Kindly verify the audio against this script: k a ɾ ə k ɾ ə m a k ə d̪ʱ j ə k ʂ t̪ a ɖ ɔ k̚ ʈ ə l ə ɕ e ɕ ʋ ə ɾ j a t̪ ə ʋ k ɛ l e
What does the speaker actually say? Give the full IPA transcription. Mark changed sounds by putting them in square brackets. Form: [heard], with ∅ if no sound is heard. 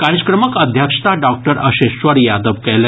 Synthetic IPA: k a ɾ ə k ɾ ə m [ə] k ə d̪ʱ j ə k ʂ t̪ a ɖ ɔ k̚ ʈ ə [ɾ] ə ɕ e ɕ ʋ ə ɾ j a [d̪] ə ʋ k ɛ l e